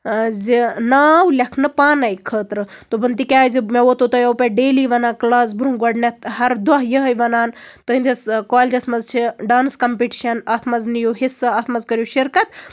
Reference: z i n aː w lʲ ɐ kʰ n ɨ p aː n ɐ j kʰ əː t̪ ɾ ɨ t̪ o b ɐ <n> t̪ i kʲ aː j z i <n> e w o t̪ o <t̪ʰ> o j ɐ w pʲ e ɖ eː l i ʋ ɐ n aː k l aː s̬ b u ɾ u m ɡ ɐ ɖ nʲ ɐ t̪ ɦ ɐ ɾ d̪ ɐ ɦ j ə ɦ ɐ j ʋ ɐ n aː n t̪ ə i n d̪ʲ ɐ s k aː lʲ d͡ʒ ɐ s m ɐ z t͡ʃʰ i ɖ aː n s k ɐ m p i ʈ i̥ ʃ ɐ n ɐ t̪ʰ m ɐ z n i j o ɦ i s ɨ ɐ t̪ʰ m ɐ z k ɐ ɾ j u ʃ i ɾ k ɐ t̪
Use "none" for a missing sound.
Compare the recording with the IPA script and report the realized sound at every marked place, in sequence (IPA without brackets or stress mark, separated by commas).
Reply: n, m, t̪